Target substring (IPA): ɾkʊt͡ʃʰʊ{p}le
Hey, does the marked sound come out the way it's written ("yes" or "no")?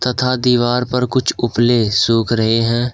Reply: yes